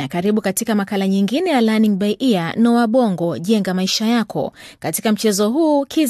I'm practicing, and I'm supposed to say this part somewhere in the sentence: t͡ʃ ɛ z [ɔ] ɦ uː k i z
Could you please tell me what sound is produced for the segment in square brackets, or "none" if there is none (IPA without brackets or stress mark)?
ɔ